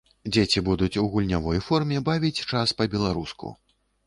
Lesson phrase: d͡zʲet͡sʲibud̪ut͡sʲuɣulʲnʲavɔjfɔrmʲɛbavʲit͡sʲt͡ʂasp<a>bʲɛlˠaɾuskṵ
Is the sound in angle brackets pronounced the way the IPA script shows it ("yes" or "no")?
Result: no